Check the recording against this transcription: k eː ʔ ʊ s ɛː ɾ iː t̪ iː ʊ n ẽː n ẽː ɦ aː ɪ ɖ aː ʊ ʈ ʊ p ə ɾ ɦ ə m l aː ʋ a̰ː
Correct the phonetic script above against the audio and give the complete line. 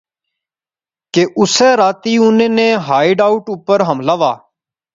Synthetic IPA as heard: k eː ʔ ʊ s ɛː ɾ aː t̪ iː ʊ n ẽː n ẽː ɦ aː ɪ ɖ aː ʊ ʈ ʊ p ə ɾ ɦ ə m l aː ʋ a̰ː